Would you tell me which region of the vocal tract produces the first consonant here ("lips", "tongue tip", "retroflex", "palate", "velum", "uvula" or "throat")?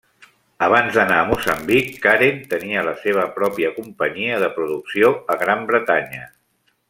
lips